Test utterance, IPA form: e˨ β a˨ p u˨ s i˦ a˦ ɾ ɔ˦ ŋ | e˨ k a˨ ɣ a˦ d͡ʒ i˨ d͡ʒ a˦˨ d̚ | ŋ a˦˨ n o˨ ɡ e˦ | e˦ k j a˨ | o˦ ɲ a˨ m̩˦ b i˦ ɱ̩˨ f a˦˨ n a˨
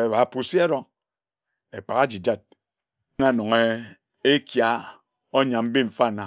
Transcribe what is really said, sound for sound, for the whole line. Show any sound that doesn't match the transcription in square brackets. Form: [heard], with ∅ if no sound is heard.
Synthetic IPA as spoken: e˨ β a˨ p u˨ s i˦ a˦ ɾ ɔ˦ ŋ | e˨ [k͡p] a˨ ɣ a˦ d͡ʒ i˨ d͡ʒ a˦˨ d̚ | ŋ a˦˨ n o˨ [ŋ] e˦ | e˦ k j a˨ | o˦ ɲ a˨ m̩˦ b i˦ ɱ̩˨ f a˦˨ n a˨